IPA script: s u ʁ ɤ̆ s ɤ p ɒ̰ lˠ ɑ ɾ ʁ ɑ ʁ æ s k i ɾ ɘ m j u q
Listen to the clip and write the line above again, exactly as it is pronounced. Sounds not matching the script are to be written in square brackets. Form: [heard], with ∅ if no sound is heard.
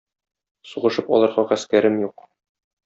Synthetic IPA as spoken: s u ʁ ɤ̆ [ʃ] ɤ p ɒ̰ lˠ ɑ ɾ ʁ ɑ ʁ æ s k [æ] ɾ ɘ m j u q